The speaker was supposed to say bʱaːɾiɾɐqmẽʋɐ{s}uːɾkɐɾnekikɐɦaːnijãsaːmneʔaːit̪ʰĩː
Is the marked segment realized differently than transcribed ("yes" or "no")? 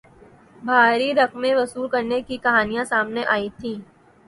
no